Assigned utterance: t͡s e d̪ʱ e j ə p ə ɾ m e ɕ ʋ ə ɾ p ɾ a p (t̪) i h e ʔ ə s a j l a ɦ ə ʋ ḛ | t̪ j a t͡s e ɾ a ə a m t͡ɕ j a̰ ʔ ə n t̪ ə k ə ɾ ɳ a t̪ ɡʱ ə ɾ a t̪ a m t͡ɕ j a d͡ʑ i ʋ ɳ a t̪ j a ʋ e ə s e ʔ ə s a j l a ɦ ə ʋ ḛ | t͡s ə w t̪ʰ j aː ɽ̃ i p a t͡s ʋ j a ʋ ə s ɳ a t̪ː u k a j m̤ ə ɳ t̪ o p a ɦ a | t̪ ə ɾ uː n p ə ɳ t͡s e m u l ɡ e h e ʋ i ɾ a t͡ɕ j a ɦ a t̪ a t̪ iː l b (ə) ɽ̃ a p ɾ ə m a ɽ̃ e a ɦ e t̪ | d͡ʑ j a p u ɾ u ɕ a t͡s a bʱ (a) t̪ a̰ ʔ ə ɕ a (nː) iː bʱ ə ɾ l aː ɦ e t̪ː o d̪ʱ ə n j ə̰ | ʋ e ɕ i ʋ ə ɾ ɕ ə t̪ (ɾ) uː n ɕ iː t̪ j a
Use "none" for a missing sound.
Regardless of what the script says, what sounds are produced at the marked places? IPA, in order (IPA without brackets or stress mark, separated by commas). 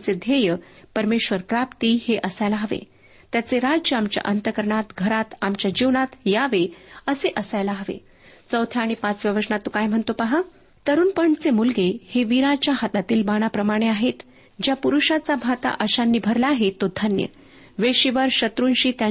t̪, a, a, nː, ɾ